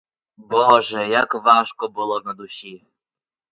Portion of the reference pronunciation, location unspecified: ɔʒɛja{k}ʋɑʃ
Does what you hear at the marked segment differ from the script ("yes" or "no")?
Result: no